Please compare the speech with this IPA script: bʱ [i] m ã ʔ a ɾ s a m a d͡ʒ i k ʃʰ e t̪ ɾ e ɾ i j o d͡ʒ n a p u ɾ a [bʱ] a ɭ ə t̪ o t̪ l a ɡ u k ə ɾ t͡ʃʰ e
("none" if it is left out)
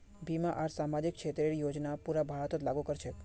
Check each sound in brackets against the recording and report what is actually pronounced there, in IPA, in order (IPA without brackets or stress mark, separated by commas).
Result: i, bʱ